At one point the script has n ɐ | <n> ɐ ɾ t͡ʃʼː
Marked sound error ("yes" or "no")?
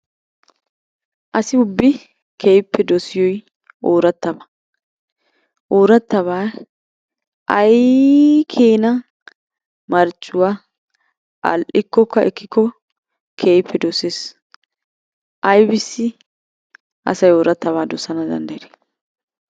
yes